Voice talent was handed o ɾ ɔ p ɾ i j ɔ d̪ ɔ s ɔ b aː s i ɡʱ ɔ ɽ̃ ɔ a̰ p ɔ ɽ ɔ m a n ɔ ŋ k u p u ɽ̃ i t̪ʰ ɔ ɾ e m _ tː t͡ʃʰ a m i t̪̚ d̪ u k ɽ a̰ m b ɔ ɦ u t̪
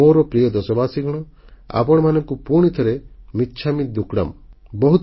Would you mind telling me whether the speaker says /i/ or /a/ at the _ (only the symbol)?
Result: i